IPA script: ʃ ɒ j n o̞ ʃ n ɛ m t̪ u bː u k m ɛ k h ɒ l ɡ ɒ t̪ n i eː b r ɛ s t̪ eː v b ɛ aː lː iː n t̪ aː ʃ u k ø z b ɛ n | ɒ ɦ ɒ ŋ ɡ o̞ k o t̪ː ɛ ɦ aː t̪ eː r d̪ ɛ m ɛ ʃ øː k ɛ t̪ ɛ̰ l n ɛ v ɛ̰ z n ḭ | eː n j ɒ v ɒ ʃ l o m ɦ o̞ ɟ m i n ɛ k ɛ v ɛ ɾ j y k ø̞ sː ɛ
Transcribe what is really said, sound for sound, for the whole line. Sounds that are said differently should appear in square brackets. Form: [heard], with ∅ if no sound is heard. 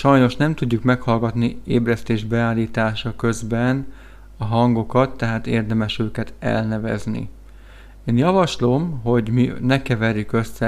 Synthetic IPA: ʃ ɒ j n o̞ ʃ n ɛ m t̪ u [ɟː] u k m ɛ k h ɒ l ɡ ɒ t̪ n i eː b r ɛ s t̪ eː [ʒ] b ɛ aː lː iː [∅] t̪ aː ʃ [ɒ] k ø z b ɛ n | ɒ ɦ ɒ ŋ ɡ o̞ k [ɒ] t̪ː ɛ ɦ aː t̪ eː r d̪ ɛ m ɛ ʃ øː k ɛ t̪ ɛ̰ l n ɛ v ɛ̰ z n ḭ | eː n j ɒ v ɒ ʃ l o m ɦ o̞ ɟ m i n ɛ k ɛ v ɛ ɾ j y k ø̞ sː ɛ